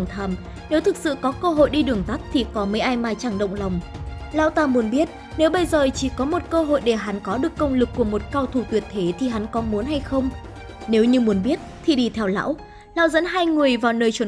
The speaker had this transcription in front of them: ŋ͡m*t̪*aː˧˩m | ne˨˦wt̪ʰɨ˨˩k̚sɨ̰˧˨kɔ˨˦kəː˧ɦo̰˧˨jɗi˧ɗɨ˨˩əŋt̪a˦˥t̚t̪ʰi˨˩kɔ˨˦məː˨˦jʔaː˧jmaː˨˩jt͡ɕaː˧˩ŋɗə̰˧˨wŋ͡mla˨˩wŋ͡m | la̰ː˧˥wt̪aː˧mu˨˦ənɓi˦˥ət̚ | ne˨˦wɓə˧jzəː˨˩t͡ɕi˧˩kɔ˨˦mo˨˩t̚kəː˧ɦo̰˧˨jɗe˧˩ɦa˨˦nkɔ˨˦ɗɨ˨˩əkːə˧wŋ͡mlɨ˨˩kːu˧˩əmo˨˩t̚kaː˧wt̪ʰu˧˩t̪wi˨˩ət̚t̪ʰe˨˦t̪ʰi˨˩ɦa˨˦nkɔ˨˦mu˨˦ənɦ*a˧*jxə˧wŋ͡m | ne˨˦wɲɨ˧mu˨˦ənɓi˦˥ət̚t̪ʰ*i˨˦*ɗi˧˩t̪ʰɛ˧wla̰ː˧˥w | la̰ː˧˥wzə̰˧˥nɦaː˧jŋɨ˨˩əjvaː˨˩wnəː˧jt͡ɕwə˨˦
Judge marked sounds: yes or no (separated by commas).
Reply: no, yes, no